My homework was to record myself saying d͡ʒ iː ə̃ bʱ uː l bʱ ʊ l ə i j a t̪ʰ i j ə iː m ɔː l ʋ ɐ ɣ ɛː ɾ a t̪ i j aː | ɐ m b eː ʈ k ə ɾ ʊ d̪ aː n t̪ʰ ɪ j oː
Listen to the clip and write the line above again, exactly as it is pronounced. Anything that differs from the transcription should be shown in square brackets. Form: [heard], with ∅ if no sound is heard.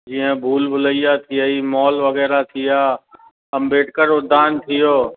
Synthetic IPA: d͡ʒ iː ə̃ bʱ uː l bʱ ʊ l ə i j a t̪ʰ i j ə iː m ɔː l ʋ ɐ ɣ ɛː ɾ a [t̪ʰ] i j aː | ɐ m b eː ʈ k ə ɾ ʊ d̪ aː n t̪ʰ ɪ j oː